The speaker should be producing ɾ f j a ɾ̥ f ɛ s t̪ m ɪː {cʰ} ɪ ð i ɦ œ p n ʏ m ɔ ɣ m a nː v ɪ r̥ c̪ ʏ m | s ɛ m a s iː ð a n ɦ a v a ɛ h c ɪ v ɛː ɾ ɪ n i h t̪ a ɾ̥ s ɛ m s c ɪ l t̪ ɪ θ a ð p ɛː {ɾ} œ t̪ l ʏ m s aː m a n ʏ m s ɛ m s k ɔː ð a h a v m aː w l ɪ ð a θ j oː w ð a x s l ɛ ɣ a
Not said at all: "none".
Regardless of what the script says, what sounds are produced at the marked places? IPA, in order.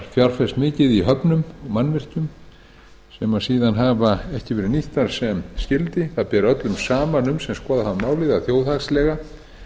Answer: c, ɾ

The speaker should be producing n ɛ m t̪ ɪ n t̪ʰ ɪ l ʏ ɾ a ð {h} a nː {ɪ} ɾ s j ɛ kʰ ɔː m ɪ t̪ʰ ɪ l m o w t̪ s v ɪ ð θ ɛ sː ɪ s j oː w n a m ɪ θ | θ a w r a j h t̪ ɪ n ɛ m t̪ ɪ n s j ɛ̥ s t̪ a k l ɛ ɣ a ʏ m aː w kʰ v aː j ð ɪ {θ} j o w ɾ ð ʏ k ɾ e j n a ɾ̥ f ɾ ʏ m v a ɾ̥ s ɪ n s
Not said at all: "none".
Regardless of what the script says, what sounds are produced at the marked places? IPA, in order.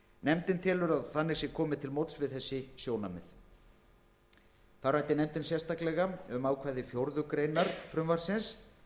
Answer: θ, ɪ, f

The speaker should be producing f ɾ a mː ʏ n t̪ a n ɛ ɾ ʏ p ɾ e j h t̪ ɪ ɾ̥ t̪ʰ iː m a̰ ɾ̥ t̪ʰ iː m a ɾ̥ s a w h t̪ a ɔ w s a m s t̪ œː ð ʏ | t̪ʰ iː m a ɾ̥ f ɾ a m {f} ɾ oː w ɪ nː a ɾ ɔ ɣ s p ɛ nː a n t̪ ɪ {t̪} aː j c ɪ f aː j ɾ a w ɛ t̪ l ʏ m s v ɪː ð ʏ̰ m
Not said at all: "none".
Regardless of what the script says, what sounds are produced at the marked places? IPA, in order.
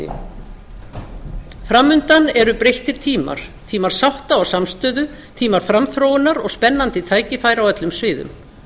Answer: θ, t̪ʰ

